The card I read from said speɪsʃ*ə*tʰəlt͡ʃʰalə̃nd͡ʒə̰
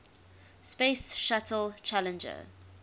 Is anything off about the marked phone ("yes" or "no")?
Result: yes